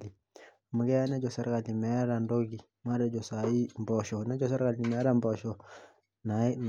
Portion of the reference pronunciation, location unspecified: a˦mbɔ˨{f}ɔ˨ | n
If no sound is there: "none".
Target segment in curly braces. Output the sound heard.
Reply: ʃ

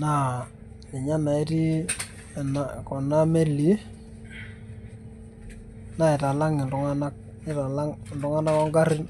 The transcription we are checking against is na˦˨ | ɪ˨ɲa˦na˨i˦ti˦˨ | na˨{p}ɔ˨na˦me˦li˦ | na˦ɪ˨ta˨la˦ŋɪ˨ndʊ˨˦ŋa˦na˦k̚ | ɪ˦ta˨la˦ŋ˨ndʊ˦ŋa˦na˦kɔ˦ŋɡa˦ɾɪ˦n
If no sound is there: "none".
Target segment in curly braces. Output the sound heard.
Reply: k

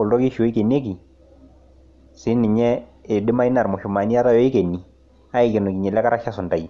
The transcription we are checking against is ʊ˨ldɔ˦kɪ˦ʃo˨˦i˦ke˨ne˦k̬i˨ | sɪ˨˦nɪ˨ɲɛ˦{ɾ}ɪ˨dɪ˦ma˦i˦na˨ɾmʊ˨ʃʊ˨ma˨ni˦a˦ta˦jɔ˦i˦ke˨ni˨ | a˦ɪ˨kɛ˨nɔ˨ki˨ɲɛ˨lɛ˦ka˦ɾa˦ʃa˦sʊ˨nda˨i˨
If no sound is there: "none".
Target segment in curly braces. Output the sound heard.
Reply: none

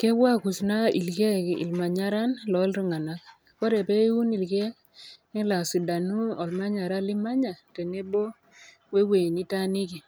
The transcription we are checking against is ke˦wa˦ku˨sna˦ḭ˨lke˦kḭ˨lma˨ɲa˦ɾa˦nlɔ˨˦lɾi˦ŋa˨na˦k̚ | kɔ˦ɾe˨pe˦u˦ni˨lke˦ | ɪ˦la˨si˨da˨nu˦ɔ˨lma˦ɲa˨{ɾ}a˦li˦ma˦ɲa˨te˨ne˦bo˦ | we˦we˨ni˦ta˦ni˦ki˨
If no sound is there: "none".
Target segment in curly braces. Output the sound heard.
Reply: ɾ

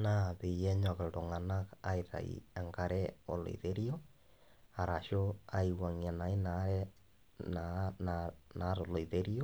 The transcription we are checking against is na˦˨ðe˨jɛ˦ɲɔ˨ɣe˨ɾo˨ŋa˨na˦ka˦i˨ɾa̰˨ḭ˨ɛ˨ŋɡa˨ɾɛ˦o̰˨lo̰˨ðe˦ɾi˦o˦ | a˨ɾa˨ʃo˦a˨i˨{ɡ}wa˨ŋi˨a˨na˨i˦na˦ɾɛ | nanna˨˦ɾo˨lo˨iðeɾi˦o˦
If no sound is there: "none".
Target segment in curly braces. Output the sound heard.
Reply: none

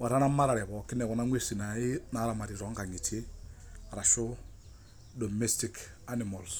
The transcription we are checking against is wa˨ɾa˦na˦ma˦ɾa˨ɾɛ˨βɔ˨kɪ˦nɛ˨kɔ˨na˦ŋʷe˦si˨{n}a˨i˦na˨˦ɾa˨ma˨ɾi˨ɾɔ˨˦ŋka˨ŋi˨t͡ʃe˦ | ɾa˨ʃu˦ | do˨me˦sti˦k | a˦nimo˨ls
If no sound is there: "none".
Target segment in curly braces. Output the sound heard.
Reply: n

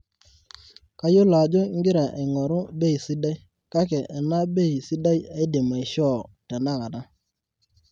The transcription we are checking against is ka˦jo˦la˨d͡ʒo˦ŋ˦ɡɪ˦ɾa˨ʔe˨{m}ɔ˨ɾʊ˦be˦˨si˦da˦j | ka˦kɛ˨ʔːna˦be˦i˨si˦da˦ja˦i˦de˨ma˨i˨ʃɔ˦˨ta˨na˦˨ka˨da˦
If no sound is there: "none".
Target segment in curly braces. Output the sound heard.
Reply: ŋ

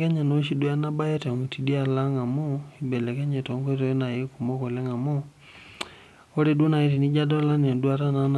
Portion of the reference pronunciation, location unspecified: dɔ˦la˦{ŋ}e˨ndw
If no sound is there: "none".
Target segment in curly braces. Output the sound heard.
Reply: n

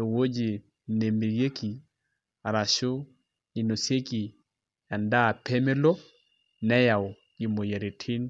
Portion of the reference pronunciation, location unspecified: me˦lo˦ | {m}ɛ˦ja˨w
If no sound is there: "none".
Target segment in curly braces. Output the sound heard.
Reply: n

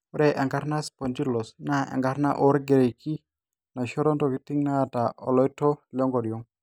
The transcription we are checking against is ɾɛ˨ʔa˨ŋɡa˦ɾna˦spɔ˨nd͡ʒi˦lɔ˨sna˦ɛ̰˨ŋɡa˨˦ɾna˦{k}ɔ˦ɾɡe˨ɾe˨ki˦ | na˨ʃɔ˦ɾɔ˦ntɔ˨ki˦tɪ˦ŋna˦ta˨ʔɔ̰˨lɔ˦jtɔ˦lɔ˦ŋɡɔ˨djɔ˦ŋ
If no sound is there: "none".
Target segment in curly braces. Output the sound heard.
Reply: ʔ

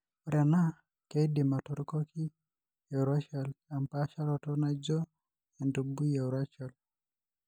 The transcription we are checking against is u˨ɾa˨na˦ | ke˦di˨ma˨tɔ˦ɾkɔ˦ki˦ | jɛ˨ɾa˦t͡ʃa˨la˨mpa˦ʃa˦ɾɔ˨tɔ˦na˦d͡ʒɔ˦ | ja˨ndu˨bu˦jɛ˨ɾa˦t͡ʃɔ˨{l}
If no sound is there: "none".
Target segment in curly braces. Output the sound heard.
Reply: l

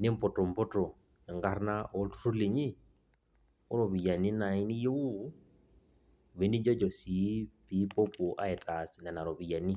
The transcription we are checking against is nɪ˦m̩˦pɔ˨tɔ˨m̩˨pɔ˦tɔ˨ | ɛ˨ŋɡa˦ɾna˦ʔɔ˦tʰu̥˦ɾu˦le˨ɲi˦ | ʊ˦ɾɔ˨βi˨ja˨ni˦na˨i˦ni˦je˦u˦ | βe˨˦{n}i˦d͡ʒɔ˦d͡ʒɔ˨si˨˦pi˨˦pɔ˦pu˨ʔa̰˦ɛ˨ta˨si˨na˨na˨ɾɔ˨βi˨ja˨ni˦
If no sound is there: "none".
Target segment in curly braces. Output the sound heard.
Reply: n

